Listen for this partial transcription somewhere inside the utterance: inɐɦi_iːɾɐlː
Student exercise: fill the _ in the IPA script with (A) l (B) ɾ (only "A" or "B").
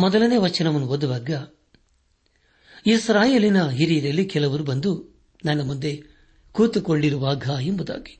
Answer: B